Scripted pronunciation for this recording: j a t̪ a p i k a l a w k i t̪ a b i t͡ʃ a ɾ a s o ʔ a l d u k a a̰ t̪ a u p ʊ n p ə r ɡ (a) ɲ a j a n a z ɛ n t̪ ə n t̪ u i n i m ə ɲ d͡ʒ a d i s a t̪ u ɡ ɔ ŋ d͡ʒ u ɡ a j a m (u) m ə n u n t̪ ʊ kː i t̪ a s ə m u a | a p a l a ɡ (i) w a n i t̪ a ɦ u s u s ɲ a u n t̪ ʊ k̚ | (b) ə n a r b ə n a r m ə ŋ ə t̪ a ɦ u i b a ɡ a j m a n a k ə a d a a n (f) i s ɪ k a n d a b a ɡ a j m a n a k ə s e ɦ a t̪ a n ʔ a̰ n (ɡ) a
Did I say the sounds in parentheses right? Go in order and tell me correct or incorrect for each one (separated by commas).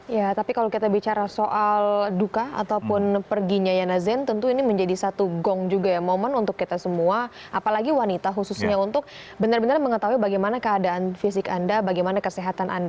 incorrect, incorrect, correct, correct, correct, incorrect